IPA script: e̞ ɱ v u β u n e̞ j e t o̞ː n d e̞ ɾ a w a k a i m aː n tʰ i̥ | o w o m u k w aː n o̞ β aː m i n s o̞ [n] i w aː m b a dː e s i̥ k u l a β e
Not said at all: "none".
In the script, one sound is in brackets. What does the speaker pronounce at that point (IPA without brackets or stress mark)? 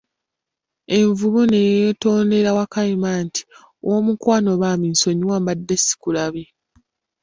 ɲ